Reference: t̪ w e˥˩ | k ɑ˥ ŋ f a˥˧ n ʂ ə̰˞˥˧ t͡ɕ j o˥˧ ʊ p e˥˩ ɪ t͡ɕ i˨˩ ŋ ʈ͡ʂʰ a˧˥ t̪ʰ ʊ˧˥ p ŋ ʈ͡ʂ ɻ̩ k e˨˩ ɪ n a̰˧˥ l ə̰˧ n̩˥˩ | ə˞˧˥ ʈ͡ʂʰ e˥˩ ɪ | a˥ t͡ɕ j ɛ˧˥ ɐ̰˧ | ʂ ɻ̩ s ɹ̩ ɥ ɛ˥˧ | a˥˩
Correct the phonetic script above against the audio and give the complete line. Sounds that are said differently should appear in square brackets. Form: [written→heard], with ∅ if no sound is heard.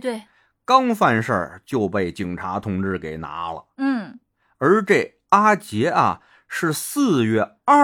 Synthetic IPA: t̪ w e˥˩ | k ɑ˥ ŋ f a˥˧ n ʂ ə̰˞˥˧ t͡ɕ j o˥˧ ʊ p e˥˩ ɪ t͡ɕ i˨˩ ŋ ʈ͡ʂʰ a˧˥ t̪ʰ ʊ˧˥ [p→∅] ŋ ʈ͡ʂ ɻ̩ k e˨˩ ɪ n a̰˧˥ l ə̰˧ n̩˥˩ | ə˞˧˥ [ʈ͡ʂʰ→ʈ͡ʂ] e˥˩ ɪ | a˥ t͡ɕ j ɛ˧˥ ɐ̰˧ | ʂ ɻ̩ s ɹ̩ ɥ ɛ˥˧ | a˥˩